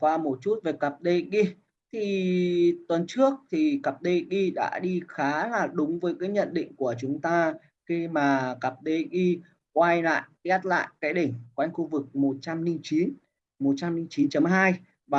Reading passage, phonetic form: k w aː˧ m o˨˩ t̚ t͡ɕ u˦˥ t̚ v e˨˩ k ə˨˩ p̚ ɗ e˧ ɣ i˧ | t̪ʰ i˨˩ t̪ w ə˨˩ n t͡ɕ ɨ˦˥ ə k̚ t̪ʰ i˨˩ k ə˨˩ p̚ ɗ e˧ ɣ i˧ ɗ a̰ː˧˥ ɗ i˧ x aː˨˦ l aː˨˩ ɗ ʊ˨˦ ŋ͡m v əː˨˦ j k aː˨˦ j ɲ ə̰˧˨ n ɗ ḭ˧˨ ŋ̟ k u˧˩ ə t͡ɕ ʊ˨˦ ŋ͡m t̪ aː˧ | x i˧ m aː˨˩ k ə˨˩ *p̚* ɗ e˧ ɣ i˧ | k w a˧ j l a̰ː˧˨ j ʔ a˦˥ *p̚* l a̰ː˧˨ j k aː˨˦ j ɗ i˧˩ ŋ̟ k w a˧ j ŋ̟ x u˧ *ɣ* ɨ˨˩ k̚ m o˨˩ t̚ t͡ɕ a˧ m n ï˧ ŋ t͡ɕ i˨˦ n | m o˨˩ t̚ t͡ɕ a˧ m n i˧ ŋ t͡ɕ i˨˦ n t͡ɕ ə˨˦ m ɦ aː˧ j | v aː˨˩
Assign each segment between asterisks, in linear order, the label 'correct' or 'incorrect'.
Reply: correct, incorrect: t̚, incorrect: v

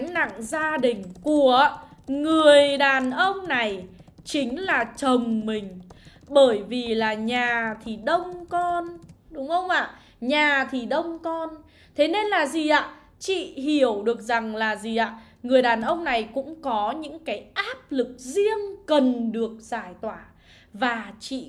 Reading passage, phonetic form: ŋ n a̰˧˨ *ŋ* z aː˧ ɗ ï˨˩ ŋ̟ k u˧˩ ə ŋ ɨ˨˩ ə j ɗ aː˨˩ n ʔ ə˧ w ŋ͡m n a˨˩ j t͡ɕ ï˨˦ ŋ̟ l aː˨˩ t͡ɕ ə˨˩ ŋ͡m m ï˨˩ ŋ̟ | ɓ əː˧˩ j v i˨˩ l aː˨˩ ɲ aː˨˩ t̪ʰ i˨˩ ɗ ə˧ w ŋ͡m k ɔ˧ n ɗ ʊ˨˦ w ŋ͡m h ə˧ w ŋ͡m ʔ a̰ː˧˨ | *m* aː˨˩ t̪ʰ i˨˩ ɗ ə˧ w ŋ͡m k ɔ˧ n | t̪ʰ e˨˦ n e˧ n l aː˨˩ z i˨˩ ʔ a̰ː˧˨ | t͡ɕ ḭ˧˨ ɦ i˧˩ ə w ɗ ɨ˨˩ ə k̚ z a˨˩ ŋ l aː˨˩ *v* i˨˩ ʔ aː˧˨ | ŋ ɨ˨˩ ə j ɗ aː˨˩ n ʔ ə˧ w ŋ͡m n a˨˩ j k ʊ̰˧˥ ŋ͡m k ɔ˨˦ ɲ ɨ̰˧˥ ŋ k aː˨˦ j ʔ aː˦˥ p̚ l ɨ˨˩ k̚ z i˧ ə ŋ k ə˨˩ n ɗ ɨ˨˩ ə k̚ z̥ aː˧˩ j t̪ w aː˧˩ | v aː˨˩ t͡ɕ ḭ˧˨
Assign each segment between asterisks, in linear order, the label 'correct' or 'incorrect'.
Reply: correct, incorrect: ɲ, incorrect: z

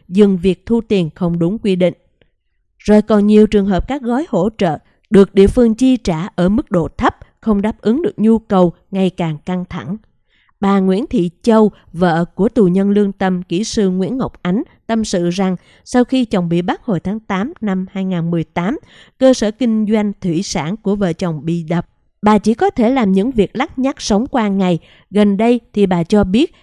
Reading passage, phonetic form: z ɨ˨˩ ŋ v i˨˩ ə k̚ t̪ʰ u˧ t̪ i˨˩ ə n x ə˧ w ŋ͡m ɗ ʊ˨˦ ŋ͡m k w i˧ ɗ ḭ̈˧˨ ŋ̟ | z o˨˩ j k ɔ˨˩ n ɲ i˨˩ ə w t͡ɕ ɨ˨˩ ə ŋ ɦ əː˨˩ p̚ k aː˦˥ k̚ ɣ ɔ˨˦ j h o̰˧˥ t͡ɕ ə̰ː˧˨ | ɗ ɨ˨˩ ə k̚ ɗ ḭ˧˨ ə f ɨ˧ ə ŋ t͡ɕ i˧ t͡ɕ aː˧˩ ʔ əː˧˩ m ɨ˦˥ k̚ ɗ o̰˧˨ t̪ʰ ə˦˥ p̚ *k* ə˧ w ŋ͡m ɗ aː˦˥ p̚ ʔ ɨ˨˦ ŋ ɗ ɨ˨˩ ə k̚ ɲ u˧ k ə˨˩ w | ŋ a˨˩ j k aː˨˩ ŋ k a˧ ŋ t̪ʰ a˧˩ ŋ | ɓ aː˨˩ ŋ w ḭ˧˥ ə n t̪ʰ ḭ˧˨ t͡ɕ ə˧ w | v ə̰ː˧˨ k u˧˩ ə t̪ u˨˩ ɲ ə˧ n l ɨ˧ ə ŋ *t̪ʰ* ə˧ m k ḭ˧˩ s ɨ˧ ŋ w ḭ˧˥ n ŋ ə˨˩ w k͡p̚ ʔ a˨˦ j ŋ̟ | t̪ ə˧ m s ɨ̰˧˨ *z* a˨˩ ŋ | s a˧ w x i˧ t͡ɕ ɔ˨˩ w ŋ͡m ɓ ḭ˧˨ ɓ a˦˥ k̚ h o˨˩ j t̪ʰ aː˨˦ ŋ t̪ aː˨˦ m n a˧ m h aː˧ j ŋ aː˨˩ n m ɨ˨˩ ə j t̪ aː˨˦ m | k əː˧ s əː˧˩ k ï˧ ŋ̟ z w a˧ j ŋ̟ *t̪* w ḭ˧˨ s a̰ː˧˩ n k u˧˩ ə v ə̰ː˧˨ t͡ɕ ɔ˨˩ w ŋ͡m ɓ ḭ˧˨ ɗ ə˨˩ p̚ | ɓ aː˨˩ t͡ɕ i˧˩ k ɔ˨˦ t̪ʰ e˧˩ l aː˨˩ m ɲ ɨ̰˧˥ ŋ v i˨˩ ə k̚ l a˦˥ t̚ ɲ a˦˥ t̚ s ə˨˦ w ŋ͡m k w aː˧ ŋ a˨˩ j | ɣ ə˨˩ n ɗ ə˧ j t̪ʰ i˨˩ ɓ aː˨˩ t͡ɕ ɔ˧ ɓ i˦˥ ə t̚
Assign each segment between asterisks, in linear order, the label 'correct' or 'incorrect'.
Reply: incorrect: x, incorrect: t̪, correct, incorrect: t̪ʰ

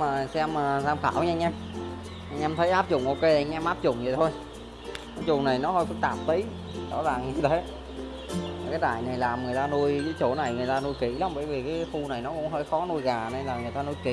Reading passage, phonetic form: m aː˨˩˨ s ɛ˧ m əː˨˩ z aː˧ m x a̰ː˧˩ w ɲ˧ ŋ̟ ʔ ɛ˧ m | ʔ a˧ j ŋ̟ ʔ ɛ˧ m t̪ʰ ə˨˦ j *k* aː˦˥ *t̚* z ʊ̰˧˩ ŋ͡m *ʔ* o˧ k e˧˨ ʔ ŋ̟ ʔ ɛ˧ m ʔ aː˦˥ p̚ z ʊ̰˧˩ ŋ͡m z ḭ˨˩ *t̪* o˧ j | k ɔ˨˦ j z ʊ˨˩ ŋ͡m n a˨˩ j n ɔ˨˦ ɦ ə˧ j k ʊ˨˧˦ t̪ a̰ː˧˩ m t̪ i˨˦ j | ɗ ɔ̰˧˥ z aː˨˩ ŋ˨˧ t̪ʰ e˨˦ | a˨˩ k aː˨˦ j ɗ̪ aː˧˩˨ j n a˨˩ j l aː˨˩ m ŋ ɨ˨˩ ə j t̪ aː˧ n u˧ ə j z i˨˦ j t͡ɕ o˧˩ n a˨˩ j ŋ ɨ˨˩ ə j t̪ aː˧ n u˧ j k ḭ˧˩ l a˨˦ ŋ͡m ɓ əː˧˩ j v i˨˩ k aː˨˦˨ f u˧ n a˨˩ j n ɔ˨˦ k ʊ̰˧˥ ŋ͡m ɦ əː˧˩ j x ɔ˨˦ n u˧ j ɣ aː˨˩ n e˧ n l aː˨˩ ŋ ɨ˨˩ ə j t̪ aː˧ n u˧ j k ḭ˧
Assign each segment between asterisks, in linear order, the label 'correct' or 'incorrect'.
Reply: incorrect: ʔ, incorrect: p̚, correct, incorrect: t̪ʰ

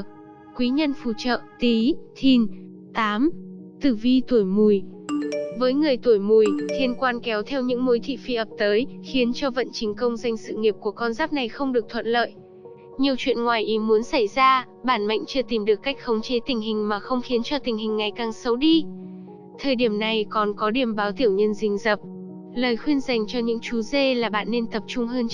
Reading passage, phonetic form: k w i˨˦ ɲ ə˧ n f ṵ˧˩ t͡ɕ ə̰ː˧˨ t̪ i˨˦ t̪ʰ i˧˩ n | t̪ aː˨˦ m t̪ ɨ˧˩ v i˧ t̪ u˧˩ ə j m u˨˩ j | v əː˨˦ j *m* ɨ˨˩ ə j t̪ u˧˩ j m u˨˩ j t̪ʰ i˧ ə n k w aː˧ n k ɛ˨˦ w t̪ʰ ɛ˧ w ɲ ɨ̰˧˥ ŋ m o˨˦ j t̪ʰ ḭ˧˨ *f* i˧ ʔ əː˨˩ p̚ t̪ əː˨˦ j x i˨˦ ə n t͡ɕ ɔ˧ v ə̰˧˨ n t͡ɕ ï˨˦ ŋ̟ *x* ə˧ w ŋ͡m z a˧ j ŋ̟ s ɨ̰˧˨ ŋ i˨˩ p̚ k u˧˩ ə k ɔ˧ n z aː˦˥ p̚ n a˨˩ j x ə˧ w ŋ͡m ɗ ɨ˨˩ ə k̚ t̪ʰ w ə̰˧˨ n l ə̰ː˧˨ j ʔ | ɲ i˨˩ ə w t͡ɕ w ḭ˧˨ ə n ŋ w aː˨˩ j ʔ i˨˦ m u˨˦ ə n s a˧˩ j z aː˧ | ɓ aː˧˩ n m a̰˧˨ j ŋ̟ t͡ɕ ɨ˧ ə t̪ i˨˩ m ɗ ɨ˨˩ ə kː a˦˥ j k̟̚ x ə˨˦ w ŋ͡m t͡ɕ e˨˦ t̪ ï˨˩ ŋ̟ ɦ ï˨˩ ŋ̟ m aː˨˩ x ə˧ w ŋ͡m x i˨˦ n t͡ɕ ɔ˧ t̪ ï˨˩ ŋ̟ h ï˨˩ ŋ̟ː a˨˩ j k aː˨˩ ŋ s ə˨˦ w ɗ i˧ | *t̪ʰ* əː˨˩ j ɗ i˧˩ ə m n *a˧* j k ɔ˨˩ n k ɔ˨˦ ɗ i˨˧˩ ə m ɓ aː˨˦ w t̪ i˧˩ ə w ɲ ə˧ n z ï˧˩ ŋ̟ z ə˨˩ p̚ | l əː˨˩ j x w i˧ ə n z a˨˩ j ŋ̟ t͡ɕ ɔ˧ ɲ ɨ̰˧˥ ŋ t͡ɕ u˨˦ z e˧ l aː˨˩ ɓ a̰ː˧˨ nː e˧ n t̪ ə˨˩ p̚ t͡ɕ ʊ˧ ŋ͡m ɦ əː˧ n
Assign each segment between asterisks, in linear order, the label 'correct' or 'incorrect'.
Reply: incorrect: ŋ, correct, incorrect: k, correct, incorrect: a˨˩

